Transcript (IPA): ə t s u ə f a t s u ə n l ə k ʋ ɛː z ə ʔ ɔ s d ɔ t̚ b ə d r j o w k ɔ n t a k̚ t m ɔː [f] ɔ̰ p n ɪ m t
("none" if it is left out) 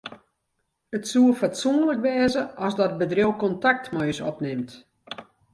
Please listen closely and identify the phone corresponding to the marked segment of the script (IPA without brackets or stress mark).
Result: s